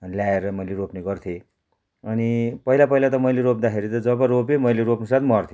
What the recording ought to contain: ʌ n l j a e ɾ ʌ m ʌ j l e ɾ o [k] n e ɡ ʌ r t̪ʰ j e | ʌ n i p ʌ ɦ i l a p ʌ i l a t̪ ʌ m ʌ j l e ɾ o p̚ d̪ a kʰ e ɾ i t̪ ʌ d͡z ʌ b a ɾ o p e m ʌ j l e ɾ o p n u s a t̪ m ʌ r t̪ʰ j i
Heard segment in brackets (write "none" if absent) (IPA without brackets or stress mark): p